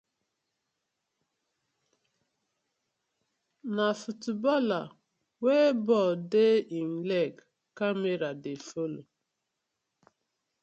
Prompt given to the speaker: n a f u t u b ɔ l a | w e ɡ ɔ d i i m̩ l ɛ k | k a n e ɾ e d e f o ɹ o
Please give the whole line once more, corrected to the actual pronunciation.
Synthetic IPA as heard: n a f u t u b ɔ l a | w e b ɔ d e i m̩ l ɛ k | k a m e ɾ a d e f o l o